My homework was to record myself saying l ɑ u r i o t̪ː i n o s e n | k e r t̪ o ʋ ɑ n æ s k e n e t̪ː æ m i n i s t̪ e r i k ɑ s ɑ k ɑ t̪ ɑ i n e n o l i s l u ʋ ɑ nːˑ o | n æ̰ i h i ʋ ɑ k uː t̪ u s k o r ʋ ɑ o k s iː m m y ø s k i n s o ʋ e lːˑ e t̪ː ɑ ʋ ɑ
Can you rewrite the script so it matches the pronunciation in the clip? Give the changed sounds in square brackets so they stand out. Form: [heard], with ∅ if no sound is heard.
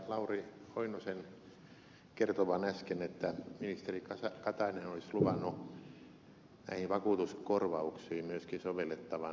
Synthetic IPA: l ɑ u r i o [∅] i n o s e n | k e r t̪ o ʋ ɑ n æ s k e n e t̪ː æ m i n i s t̪ e r i k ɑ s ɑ k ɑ t̪ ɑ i n e n o l i s l u ʋ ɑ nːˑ [u] | n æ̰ i h i ʋ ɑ k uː t̪ u s k o r ʋ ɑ [u] k s iː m m y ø s k i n s o ʋ e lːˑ e t̪ː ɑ ʋ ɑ